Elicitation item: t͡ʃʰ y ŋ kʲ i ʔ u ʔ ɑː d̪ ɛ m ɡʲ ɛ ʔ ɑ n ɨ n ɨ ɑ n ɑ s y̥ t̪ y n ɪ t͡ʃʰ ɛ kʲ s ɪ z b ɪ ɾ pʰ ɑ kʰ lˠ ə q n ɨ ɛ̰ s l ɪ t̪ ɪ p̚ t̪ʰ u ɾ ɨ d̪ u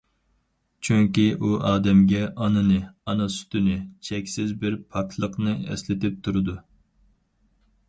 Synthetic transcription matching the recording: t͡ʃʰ y ŋ kʲ i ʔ u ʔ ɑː d̪ ɛ m ɡʲ ɛ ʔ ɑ n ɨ n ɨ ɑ n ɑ s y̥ t̪ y n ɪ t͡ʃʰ ɛ kʲ s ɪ z b ɪ ɾ pʰ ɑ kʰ lˠ ə q n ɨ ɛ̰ s l ɪ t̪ ɪ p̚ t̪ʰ u ɾ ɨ d̪ u